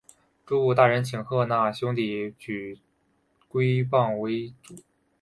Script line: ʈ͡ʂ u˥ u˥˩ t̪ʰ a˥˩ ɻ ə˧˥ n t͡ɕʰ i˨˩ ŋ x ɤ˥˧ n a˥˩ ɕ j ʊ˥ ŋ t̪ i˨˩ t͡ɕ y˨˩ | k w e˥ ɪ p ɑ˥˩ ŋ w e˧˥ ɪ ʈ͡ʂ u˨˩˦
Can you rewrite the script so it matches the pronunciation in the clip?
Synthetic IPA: ʈ͡ʂ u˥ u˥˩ t̪ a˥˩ ɻ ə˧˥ n t͡ɕʰ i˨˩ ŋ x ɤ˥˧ n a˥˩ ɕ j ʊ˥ ŋ t̪ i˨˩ t͡ɕ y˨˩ | k w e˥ ɪ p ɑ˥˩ ŋ w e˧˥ ɪ ʈ͡ʂ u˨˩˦

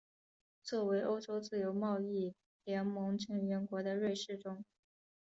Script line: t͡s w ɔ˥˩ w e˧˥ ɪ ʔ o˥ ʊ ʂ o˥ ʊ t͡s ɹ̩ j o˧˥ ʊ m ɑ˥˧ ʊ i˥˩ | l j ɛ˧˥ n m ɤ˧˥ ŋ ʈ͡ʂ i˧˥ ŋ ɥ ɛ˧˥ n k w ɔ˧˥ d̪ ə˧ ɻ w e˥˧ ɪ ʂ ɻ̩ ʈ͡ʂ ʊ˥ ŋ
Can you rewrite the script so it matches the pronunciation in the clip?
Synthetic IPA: t͡s w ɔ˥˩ w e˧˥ ɪ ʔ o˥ ʊ ʈ͡ʂ o˥ ʊ t͡s ɹ̩ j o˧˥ ʊ m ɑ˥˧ ʊ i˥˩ | l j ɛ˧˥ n m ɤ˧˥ ŋ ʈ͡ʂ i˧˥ ŋ ɥ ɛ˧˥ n k w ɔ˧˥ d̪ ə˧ ɻ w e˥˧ ɪ ʂ ɻ̩ ʈ͡ʂ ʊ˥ ŋ

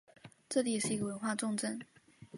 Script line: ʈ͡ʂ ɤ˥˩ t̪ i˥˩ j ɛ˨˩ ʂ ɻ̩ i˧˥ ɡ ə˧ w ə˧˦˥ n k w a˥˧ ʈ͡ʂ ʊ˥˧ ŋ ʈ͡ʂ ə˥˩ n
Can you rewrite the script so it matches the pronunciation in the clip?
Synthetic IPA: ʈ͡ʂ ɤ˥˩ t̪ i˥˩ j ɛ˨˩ ʂ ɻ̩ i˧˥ ɡ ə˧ w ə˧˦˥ n x w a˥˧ ʈ͡ʂ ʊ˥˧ ŋ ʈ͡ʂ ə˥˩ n

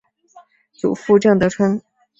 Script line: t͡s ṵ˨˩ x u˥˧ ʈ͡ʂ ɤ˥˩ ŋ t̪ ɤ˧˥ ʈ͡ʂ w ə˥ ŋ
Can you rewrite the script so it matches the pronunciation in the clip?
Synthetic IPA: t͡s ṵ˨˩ f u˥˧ ʈ͡ʂ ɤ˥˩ ŋ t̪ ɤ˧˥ ʈ͡ʂʰ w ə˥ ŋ

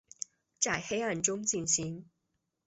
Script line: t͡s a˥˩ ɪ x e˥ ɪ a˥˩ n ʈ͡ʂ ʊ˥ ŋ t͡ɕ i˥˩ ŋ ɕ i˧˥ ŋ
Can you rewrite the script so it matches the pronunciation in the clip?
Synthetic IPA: t͡s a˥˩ ɪ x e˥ ɪ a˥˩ n ʈ͡ʂ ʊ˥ ŋ t͡ɕ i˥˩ n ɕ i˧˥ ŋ

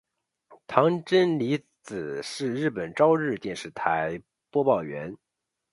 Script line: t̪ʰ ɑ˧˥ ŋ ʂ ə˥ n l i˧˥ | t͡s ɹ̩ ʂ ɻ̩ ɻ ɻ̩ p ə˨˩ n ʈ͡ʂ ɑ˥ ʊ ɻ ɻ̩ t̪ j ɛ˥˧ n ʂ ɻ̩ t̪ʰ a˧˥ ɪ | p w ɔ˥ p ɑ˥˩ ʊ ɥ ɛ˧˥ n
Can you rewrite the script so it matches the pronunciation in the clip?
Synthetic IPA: t̪ʰ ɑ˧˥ ŋ ʈ͡ʂ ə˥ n l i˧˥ | t͡s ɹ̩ ʂ ɻ̩ ɻ ɻ̩ p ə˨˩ n ʈ͡ʂ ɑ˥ ʊ ɻ ɻ̩ t̪ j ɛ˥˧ n ʂ ɻ̩ t̪ʰ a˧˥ ɪ | p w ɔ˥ p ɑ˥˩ ʊ ɥ ɛ˧˥ n

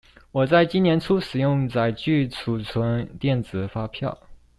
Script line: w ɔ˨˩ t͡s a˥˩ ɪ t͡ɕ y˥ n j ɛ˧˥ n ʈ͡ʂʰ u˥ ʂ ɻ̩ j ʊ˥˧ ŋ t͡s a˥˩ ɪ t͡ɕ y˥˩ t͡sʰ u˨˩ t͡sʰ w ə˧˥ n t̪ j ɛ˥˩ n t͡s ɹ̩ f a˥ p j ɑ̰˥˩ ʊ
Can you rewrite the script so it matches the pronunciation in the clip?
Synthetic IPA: w ɔ˨˩ t͡s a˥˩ ɪ t͡ɕ i˥ n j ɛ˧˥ n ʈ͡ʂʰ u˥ ʂ ɻ̩ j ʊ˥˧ ŋ t͡s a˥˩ ɪ t͡ɕ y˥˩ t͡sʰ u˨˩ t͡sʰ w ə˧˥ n t̪ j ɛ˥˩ n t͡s ɹ̩ f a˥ pʰ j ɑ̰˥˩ ʊ

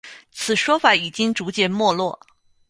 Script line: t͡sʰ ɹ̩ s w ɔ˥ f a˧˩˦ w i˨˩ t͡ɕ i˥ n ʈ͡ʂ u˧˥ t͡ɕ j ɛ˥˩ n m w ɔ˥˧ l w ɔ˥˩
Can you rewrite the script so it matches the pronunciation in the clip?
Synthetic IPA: t͡sʰ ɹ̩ ʂ w ɔ˥ f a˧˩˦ i˨˩ t͡ɕ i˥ ŋ ʈ͡ʂ u˧˥ t͡ɕ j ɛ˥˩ n m w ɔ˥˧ l w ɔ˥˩

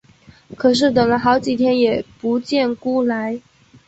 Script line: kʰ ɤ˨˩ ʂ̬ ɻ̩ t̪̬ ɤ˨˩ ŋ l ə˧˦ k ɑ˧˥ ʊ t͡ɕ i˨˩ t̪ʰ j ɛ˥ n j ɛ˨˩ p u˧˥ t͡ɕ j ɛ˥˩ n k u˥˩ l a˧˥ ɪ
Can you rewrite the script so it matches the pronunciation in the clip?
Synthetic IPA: kʰ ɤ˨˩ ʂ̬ ɻ̩ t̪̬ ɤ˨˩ ŋ l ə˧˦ x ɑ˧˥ ʊ t͡ɕ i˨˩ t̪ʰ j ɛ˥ n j ɛ˨˩ p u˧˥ t͡ɕ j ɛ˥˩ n k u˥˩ l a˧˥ ɪ

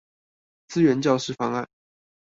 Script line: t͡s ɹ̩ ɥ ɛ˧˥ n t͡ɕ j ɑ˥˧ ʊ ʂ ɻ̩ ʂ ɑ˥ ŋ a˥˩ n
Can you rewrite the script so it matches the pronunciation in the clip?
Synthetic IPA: t͡s ɹ̩ ɥ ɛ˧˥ n t͡ɕ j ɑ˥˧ ʊ ʂ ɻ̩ f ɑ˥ ŋ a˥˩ n

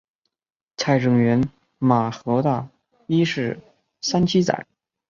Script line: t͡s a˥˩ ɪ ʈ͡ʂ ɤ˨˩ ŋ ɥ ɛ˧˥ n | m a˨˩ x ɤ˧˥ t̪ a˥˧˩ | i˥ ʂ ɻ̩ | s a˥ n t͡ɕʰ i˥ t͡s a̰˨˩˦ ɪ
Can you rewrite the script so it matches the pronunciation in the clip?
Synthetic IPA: t͡sʰ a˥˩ ɪ ʈ͡ʂ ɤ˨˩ ŋ ɥ ɛ˧˥ n | m a˨˩ x ɤ˧˥ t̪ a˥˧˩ | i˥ ʂ ɻ̩ | s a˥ n t͡ɕʰ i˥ t͡s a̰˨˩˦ ɪ

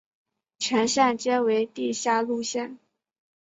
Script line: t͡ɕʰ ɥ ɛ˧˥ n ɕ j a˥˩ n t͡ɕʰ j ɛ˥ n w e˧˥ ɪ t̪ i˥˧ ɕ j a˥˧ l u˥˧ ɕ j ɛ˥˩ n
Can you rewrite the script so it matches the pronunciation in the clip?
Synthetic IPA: t͡ɕʰ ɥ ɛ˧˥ n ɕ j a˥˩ n t͡ɕ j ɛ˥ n w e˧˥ ɪ t̪ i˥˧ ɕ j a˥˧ l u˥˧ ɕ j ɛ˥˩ n

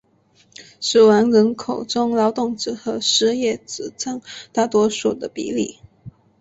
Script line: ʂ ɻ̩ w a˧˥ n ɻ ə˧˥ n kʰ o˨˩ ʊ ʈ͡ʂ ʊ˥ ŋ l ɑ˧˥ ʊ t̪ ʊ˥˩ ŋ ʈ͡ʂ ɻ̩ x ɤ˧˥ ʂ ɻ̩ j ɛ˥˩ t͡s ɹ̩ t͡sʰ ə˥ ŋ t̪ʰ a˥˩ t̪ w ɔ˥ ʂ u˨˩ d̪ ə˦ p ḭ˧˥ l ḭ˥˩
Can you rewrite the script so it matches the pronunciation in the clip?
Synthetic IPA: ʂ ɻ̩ w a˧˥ n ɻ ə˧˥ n kʰ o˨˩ ʊ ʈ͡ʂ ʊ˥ ŋ l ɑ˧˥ ʊ t̪ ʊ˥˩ ŋ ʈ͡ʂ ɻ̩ x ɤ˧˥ ʂ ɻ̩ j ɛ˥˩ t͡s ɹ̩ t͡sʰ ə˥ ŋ t̪ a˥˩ t̪ w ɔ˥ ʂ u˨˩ d̪ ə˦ p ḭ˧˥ l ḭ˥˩

